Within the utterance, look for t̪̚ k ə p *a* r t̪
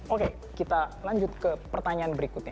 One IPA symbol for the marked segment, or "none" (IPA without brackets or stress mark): ə